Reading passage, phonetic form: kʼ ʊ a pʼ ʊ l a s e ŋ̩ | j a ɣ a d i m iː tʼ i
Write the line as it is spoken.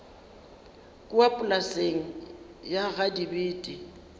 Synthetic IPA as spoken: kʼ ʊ a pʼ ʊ l a s e ŋ̩ | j a ɣ a d i b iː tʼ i

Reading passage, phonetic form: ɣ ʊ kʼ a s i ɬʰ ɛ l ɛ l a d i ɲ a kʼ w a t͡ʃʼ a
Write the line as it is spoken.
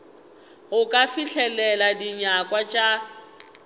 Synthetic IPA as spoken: ɣ ʊ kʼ a f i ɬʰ ɛ l ɛ l a d i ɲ a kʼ w a t͡ʃʼ a

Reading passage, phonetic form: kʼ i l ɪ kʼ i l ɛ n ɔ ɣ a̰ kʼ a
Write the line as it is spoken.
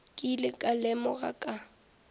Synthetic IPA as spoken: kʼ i l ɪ kʼ a l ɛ m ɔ ɣ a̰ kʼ a

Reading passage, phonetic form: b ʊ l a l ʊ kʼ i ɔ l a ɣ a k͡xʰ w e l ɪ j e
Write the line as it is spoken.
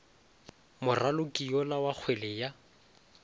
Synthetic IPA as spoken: m ʊ r a l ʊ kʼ i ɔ l a w a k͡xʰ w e l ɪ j a

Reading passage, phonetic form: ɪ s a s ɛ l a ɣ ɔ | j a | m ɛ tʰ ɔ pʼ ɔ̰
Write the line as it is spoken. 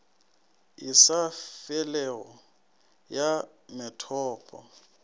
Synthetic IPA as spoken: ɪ s a f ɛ l ɛ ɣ ɔ | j a | m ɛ tʰ ɔː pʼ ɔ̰

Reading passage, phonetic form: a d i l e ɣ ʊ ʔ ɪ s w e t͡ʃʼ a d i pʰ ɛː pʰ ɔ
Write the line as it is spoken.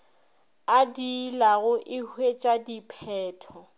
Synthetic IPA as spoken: a d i l a ɣ ʊ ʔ ɪ h w e t͡ʃʼ a d i pʰ ɛː tʰ ɔ

